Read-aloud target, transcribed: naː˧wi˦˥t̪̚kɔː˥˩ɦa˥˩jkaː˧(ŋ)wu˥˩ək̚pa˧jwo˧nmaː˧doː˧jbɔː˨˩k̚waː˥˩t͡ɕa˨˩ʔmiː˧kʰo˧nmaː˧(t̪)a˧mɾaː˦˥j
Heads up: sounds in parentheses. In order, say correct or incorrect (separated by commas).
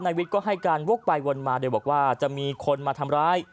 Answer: incorrect, incorrect